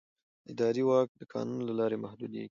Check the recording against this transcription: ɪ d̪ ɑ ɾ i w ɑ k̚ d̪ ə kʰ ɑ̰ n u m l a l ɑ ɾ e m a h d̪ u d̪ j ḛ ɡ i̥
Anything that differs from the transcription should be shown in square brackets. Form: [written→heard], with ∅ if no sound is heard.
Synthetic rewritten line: ɪ d̪ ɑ ɾ i w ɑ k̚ d̪ ə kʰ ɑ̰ n u [m→n] l a l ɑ ɾ e m a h d̪ u d̪ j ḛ ɡ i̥